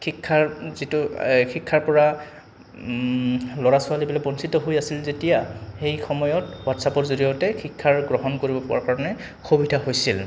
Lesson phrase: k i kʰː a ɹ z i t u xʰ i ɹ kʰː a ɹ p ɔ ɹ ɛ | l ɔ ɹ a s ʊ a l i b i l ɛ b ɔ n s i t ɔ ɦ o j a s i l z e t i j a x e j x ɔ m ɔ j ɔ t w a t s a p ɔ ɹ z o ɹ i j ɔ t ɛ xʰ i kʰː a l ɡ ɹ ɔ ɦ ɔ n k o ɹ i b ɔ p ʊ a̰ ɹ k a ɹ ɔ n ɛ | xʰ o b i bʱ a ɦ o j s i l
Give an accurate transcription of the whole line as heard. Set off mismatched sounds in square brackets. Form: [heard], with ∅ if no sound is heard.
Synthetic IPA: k i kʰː a ɹ z i t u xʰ i [∅] kʰː a ɹ p ɔ ɹ [a] | l ɔ ɹ a s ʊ a l i b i l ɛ b ɔ n s i t ɔ ɦ o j a s i l z e t i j a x e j x ɔ m ɔ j ɔ t w a t s a p ɔ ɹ z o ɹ i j ɔ t ɛ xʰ i kʰː a [ɹ] ɡ ɹ ɔ ɦ ɔ n k o ɹ i b ɔ p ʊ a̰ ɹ k a ɹ ɔ n ɛ | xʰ o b i [dʱ] a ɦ o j s i l

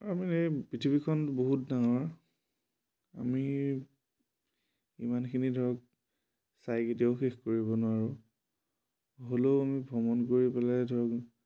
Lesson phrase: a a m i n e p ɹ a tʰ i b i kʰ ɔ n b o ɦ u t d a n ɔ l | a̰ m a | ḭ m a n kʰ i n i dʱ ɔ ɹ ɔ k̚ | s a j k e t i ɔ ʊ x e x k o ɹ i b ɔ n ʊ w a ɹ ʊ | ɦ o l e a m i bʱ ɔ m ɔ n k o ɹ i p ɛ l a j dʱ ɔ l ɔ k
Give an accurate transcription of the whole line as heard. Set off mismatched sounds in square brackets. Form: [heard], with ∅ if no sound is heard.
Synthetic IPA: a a m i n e p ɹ [i] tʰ i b i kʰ ɔ n b o ɦ u t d a [ŋ] ɔ [ɹ] | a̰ m [i] | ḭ m a n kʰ i n i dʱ ɔ ɹ ɔ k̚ | s a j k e t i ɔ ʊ x e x k o ɹ i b ɔ n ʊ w a ɹ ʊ | ɦ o l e a m i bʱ ɔ m ɔ n k o ɹ i p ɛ l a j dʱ ɔ [ɹ] ɔ k

